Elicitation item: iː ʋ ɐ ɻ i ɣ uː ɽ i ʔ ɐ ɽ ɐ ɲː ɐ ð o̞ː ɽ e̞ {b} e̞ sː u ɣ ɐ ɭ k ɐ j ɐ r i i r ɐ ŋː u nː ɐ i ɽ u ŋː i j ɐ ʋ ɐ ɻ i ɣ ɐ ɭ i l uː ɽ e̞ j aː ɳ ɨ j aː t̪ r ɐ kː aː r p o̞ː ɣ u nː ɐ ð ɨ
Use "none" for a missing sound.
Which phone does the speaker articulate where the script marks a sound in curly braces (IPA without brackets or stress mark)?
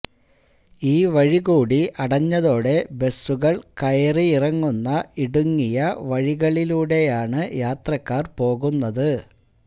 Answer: b